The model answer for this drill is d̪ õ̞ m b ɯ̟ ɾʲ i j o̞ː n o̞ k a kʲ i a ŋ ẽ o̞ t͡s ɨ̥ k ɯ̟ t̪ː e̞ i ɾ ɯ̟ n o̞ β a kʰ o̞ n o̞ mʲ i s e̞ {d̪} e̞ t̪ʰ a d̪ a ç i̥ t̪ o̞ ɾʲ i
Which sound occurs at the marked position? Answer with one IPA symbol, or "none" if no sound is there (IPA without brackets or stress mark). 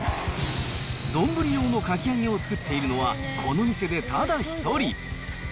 d̪